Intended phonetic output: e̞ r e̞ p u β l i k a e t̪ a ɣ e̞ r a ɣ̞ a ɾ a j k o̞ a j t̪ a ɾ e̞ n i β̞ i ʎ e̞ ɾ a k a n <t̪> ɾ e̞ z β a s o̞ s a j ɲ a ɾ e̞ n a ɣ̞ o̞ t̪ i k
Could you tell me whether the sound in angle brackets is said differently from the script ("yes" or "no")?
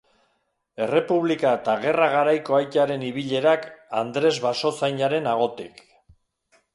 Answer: yes